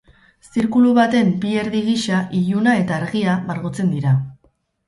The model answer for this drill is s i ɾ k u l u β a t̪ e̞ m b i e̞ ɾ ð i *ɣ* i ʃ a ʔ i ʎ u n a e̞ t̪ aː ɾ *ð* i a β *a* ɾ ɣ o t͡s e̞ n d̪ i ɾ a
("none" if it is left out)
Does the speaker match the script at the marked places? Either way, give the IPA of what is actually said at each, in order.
ɣ, ɣ, a

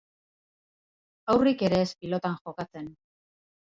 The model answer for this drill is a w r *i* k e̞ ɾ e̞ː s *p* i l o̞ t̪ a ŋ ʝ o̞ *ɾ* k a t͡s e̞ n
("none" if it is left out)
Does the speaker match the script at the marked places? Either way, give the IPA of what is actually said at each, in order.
i, p, none

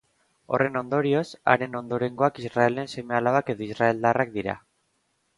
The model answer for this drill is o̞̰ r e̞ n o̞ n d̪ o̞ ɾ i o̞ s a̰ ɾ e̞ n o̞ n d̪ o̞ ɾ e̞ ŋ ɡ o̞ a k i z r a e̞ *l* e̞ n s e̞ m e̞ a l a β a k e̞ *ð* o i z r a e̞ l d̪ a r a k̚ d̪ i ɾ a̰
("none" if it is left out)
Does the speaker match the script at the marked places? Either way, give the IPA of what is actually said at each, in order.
l, ð

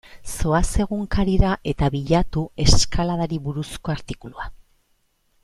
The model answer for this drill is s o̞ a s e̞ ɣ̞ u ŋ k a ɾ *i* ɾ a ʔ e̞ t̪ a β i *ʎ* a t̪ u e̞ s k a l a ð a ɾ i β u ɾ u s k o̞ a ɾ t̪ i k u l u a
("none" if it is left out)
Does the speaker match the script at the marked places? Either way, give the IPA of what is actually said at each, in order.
i, ʎ

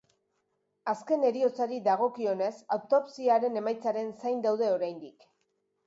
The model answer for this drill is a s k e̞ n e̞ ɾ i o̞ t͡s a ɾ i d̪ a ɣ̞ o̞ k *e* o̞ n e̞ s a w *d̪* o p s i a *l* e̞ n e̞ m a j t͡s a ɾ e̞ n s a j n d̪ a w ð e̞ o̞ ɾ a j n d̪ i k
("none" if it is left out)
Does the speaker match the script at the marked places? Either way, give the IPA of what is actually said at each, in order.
i, t̪, ɾ

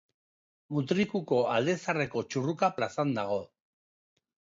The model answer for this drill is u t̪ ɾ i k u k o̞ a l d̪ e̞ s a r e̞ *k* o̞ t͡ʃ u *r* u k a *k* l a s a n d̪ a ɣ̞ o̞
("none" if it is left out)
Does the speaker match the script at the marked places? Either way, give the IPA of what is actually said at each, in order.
k, r, p

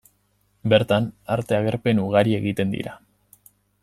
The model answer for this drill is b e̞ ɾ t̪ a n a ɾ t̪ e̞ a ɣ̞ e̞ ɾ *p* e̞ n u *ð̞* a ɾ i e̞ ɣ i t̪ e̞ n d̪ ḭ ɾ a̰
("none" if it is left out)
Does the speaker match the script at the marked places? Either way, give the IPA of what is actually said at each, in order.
p, ɣ̞

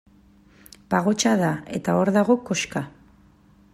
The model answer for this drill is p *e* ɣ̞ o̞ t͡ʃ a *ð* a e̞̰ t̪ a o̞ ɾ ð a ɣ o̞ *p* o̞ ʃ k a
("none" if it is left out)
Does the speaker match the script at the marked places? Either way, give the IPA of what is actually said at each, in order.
a, ð, k

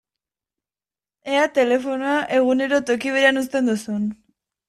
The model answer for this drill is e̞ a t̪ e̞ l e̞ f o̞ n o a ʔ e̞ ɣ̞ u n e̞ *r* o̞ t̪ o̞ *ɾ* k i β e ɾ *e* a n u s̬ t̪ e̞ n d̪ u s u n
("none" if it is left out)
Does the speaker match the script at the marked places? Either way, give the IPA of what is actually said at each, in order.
ɾ, none, e

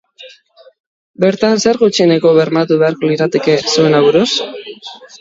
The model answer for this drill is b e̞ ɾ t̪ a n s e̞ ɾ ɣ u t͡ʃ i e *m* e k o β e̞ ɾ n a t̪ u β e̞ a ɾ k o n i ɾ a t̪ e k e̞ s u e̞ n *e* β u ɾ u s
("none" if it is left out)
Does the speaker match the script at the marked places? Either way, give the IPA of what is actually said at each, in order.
n, a

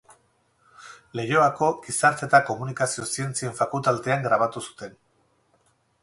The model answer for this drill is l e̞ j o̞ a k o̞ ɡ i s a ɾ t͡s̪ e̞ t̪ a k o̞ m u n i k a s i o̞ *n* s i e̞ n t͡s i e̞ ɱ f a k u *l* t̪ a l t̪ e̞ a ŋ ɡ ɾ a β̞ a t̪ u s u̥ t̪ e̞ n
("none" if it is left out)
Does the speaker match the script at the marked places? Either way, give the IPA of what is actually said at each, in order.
none, l

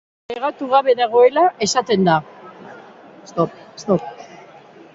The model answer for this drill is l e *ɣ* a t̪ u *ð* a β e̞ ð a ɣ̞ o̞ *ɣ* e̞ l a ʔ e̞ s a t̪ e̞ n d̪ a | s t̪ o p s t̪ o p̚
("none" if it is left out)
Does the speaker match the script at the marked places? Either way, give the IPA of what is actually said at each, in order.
ɣ, ɣ, none

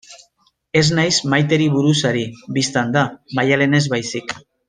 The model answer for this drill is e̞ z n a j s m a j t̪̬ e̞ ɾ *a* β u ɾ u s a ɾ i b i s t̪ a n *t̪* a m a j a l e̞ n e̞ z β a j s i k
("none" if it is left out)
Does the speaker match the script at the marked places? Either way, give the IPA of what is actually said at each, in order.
i, d̪

